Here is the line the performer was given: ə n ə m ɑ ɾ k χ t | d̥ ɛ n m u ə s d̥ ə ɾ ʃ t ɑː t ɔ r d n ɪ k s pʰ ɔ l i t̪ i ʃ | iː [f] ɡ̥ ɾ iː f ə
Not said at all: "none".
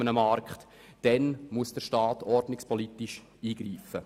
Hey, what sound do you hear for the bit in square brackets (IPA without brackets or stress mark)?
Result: none